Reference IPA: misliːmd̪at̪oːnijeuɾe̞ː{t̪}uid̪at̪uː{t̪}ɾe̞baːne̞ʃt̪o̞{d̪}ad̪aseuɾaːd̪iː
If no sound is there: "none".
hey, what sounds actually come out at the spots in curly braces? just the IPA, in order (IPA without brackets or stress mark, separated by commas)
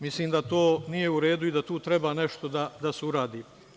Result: d̪, t̪, d̪